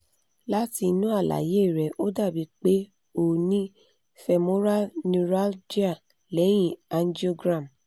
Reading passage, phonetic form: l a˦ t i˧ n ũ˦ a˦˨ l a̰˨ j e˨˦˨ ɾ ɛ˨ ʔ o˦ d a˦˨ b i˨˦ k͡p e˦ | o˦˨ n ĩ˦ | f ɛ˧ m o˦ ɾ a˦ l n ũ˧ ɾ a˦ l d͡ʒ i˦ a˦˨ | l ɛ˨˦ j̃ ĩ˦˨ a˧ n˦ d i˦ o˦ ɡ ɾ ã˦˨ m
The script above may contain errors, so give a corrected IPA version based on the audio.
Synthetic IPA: l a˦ t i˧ n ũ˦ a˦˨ l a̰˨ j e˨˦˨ ɾ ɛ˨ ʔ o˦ d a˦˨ b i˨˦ k͡p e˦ | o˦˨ n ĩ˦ | f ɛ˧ m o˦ ɾ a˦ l n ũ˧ ɾ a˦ l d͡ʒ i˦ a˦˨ | l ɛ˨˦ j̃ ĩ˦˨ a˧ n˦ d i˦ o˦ ɡ ɾ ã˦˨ m